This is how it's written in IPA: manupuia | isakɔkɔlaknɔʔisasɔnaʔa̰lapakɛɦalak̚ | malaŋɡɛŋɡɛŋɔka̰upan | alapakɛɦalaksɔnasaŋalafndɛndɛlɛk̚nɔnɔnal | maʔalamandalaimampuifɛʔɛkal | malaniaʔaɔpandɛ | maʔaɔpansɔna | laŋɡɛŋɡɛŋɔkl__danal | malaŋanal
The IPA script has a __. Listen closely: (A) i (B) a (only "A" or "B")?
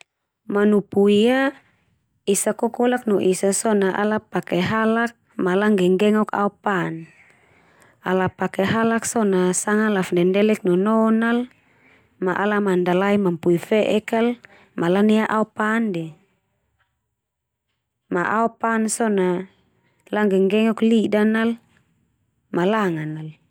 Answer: A